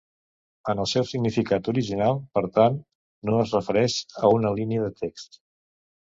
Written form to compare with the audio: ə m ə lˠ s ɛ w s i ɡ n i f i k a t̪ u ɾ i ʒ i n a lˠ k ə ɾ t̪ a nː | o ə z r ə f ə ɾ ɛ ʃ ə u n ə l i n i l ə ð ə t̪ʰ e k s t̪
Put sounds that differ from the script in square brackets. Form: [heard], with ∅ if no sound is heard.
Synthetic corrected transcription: ə [n] ə lˠ s ɛ w s i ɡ n i f i k a t̪ u ɾ i ʒ i n a lˠ [p] ə ɾ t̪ a nː | o ə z r ə f ə ɾ ɛ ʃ ə u n ə l i n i [∅] ə ð ə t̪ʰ e k s t̪